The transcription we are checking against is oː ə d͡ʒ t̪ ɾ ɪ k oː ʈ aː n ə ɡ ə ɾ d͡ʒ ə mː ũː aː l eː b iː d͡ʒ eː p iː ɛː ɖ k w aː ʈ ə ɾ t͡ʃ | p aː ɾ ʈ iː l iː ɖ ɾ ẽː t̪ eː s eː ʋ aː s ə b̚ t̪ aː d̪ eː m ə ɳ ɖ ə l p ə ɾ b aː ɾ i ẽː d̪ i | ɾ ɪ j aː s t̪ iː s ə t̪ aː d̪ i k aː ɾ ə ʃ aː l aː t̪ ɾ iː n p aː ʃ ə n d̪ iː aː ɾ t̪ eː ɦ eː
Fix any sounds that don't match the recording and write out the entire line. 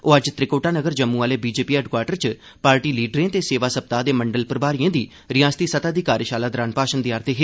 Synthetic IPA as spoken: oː ə d͡ʒ t̪ ɾ ɪ k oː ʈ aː n ə ɡ ə ɾ d͡ʒ ə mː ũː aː l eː b iː d͡ʒ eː p iː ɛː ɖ k w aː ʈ ə ɾ t͡ʃ | p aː ɾ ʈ iː l iː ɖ ɾ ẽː t̪ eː s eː ʋ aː s ə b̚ t̪ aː d̪ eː m ə ɳ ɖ ə l p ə ɾ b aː ɾ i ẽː d̪ iː | ɾ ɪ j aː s t̪ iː s ə t̪ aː d̪ iː k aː ɾ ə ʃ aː l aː d̪ ɾ aː n p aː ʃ ə n d̪ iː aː ɾ t̪ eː ɦ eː